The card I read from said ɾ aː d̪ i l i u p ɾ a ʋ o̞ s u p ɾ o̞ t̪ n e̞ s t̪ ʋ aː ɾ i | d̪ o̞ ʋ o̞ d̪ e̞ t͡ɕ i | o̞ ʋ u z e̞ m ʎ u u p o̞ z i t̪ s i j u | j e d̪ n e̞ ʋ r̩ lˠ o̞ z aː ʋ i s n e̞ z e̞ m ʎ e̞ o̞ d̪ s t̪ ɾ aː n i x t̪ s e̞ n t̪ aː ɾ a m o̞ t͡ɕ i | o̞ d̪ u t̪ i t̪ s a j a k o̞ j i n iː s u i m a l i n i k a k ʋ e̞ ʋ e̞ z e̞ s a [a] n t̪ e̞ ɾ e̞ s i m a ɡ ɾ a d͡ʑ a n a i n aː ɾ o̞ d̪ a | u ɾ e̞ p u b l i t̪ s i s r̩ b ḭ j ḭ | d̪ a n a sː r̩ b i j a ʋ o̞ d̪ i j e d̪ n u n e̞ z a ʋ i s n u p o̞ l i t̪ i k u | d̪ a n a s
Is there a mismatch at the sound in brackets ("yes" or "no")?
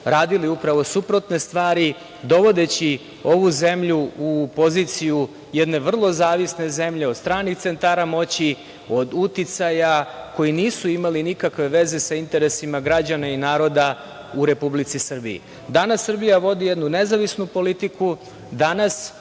yes